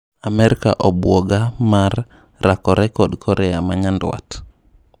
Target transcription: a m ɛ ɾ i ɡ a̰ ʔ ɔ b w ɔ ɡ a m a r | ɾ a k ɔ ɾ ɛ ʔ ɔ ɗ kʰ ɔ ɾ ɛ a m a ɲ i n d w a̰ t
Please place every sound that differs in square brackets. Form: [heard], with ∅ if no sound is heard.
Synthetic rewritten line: a m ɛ ɾ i [k] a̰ ʔ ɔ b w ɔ ɡ a m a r | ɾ a k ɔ ɾ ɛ [k] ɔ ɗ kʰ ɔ ɾ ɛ a m a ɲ [a] n d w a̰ t